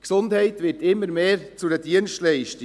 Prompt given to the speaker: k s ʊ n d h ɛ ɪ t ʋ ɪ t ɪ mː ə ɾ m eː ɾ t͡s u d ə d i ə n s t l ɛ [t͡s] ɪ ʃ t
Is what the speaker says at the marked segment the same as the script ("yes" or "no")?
no